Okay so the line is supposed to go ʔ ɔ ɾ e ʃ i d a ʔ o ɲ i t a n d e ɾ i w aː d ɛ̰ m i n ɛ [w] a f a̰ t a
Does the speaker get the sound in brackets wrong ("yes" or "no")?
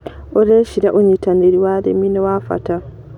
no